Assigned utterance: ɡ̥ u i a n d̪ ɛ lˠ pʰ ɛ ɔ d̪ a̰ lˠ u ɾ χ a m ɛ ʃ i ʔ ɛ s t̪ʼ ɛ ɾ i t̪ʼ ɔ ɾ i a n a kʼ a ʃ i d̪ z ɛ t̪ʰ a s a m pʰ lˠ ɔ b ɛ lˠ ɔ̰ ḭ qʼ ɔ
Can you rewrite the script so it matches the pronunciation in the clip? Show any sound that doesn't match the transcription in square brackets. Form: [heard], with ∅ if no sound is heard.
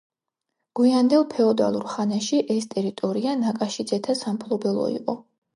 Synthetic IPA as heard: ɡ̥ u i a n d̪ ɛ lˠ pʰ ɛ ɔ d̪ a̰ lˠ u ɾ χ a [n] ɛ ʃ i ʔ ɛ s t̪ʼ ɛ ɾ i t̪ʼ ɔ ɾ i a n a kʼ a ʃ i d̪ z ɛ t̪ʰ a s a m pʰ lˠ ɔ b ɛ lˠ ɔ̰ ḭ qʼ ɔ